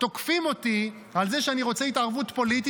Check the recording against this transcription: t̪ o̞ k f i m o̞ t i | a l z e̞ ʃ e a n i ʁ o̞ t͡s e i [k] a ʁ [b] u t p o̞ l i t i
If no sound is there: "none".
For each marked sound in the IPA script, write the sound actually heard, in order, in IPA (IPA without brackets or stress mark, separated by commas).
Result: t, v